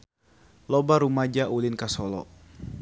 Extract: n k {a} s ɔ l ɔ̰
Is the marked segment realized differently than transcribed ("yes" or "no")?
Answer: no